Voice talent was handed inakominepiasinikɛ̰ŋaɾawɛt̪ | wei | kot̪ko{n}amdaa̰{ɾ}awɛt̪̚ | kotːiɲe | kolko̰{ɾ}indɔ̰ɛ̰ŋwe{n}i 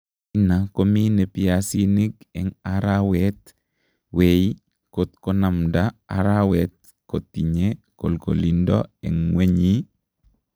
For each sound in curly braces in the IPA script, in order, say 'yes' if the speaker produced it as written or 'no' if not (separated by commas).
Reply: yes, yes, no, no